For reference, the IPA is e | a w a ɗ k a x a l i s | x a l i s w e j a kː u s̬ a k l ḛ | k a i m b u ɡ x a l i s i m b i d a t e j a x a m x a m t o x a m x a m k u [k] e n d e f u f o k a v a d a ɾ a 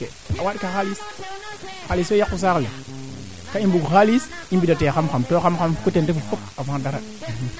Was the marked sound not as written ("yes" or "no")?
yes